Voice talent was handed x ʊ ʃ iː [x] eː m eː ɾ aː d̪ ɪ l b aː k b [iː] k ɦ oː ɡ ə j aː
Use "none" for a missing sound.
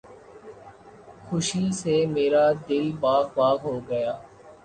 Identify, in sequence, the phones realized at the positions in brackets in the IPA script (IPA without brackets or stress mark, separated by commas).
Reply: s, aː